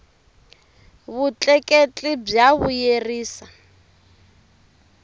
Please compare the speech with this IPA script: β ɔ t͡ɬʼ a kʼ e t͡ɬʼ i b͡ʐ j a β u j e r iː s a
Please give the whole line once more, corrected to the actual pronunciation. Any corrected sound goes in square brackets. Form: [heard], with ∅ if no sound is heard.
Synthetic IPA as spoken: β [u] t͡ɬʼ [ɛ] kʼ e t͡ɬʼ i b͡ʐ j a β u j e r iː s a